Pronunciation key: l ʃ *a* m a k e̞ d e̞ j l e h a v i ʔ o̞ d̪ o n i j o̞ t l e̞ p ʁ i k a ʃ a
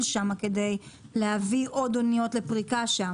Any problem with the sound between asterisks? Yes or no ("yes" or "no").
no